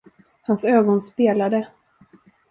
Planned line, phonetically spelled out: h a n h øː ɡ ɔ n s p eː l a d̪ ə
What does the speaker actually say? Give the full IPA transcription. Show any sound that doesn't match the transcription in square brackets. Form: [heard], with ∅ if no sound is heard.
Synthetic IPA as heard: h a n [s] øː ɡ ɔ n s p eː l a d̪ ə

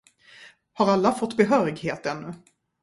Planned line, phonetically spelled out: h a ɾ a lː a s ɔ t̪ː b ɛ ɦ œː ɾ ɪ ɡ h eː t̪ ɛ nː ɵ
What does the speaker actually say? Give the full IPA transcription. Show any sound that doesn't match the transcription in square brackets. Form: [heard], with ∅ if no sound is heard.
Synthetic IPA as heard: h a ɾ a lː a [f] ɔ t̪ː b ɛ ɦ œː ɾ ɪ ɡ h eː t̪ ɛ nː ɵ

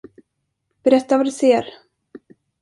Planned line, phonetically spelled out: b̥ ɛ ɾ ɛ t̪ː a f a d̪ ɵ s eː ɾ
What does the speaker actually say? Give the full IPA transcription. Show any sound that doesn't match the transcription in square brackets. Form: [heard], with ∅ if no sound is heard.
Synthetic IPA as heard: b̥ ɛ ɾ ɛ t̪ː a [v] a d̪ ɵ s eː ɾ

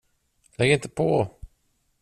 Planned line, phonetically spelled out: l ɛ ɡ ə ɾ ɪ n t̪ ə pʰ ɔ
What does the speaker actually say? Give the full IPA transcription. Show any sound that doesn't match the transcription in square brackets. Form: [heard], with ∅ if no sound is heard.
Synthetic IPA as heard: l ɛ ɡ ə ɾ ɪ n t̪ ə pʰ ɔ

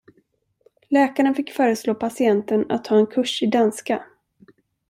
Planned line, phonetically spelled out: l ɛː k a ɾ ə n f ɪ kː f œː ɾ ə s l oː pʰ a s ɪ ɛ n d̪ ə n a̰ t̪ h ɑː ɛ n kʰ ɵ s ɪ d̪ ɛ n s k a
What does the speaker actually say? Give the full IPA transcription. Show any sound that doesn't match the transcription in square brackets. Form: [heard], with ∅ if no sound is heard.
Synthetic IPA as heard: l ɛː k a ɾ ə n f ɪ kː f œː ɾ ə s l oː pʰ a s ɪ ɛ n [t̪] ə n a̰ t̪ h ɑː ɛ n kʰ ɵ [ʂ] ɪ d̪ [a] n s k a

